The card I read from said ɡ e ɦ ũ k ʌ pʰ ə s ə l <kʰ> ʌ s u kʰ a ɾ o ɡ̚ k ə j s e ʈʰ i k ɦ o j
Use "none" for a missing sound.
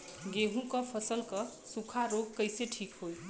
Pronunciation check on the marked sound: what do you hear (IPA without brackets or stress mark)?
k